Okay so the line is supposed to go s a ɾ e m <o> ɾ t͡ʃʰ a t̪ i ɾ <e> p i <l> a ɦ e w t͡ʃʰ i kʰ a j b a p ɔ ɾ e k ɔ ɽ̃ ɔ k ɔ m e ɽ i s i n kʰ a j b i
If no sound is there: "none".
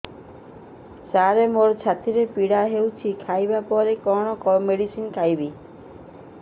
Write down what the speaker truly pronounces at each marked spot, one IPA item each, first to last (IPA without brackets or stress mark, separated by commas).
o, e, ɽ